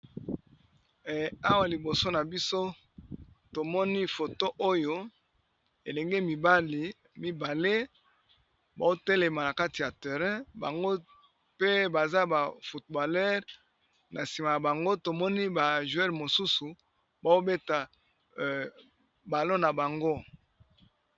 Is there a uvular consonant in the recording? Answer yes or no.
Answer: yes